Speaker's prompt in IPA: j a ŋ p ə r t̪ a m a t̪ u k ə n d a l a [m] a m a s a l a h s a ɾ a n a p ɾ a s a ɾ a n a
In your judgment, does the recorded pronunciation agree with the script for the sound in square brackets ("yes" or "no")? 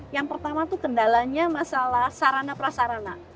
no